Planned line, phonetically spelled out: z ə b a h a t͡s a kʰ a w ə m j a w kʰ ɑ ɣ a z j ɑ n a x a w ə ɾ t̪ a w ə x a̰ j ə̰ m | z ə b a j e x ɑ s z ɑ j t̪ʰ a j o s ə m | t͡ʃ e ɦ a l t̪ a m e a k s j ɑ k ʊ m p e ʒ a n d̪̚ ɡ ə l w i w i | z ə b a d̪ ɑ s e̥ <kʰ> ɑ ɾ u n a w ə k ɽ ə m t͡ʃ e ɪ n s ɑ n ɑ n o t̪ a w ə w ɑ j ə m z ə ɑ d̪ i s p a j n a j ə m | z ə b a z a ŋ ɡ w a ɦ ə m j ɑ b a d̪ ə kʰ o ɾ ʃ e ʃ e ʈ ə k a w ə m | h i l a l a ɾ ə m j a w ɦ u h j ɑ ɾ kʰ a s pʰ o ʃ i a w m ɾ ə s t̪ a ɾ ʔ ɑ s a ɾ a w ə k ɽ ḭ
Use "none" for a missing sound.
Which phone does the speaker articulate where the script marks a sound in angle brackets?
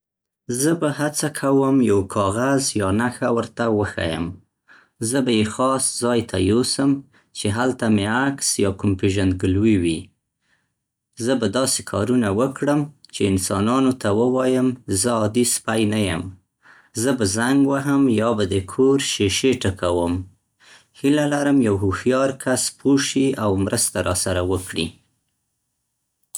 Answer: kʰ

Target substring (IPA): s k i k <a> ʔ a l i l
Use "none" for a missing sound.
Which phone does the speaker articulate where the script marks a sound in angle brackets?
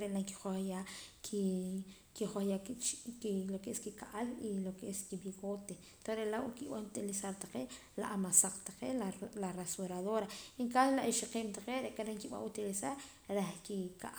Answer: a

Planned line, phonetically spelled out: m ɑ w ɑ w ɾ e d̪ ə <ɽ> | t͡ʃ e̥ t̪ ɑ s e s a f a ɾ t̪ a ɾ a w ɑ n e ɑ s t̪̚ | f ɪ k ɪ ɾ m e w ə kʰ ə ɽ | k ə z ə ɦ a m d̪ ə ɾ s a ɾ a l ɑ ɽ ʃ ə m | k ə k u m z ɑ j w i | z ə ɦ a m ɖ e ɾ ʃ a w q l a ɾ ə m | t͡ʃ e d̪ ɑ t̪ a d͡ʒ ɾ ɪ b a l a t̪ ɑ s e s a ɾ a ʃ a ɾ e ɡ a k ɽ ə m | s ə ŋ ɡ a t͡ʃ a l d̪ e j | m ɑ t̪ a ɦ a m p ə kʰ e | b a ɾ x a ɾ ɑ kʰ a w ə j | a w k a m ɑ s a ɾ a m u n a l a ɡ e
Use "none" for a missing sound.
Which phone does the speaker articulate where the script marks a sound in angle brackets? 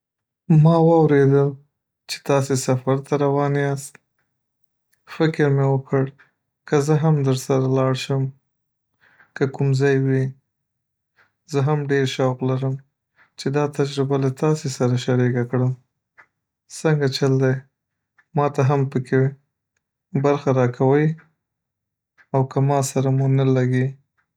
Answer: l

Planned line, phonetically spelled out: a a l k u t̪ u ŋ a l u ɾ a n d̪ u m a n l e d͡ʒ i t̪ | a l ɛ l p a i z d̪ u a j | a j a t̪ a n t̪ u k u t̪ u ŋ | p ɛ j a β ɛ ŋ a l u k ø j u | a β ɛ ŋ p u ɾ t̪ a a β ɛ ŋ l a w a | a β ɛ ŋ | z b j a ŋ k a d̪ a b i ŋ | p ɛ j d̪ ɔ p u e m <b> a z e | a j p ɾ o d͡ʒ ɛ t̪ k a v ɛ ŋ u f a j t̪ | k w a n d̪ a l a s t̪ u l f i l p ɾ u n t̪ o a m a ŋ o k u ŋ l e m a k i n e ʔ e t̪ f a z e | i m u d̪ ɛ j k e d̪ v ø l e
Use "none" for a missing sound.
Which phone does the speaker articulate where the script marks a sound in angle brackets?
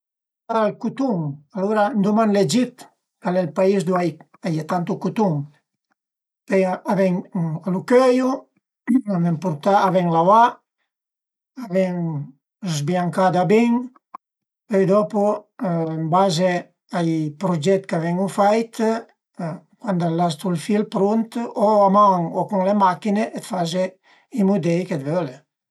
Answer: b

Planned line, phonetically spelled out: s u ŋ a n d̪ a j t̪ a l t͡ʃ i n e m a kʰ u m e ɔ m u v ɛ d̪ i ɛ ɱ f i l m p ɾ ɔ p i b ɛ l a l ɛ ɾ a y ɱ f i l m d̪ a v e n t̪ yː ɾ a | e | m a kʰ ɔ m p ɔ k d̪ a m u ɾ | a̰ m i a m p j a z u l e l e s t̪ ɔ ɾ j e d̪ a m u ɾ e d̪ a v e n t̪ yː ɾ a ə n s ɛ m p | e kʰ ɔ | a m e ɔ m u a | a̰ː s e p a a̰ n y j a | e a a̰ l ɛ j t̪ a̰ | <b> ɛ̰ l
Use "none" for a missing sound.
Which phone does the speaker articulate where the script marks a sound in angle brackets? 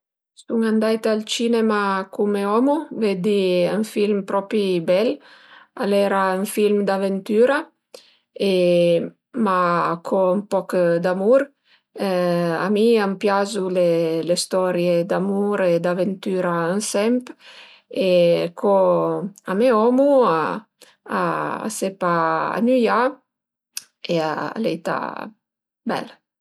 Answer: b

